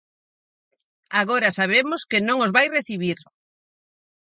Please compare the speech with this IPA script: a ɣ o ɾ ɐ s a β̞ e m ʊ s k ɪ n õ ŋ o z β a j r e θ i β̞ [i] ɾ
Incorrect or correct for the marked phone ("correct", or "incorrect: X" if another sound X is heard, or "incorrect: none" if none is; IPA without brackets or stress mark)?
correct